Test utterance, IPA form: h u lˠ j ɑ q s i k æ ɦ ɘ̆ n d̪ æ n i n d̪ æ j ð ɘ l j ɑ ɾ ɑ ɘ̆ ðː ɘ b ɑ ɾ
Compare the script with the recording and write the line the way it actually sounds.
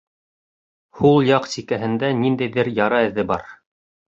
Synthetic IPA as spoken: h u lˠ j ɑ q s i k æ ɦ ɘ̆ n d̪ æ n i n d̪ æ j ð ɘ ɾ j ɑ ɾ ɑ ɘ̆ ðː ɘ b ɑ ɾ